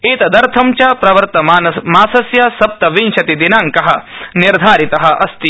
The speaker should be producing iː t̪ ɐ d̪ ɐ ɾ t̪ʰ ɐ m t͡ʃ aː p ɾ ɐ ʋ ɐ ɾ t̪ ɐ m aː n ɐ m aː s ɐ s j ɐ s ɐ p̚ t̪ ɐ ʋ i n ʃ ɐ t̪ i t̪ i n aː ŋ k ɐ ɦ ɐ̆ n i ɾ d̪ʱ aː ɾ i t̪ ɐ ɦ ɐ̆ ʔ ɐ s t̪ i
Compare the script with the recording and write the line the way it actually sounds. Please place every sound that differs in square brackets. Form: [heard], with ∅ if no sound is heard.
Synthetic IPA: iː t̪ ɐ d̪ ɐ ɾ t̪ʰ ɐ m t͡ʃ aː p ɾ ɐ ʋ ɐ ɾ t̪ ɐ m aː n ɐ m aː s ɐ s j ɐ s ɐ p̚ t̪ ɐ ʋ i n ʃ ɐ t̪ i [d̪] i n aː ŋ k ɐ ɦ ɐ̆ n i ɾ d̪ʱ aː ɾ i t̪ ɐ ɦ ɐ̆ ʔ ɐ s t̪ i